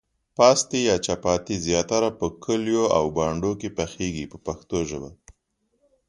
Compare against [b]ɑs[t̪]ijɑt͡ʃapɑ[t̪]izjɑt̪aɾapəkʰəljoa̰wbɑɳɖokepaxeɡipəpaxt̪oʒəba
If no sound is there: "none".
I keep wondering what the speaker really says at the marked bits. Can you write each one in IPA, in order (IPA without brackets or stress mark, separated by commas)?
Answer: p, t̪, t̪